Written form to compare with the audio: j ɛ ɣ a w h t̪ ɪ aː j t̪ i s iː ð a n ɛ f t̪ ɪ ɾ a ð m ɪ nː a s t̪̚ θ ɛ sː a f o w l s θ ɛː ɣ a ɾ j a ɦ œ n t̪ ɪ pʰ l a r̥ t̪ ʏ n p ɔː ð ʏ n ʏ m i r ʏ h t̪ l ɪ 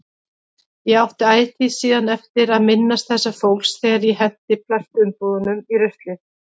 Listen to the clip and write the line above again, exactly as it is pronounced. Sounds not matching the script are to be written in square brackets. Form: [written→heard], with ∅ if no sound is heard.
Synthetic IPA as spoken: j ɛ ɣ a w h t̪ ɪ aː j t̪ i s iː ð a n ɛ f t̪ ɪ ɾ a ð m ɪ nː a s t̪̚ θ ɛ sː a f o w l s θ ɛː ɣ a ɾ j [a→ɛ] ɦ [œ→ɛ] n t̪ ɪ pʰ l a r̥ t̪ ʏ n p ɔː ð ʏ n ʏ m i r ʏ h t̪ l ɪ